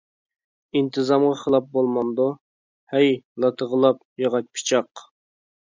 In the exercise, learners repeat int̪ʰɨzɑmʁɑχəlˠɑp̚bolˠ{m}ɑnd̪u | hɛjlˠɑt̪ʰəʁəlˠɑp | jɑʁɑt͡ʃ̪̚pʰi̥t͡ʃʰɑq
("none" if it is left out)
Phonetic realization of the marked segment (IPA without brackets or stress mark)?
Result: m